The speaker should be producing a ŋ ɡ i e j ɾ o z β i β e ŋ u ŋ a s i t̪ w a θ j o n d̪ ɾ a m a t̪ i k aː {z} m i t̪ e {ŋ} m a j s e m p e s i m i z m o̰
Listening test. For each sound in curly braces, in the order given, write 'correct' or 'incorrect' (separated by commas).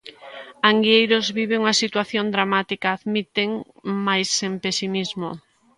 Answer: incorrect, correct